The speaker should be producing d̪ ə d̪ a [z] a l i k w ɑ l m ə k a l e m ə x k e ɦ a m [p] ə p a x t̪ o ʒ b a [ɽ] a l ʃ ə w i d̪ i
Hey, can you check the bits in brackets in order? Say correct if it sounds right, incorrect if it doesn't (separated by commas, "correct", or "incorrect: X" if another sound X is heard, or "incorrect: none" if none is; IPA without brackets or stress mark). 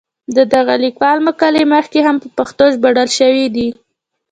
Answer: incorrect: ɣ, correct, correct